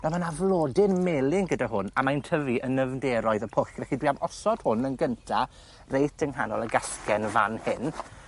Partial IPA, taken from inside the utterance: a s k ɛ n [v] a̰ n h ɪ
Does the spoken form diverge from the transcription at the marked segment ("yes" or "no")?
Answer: no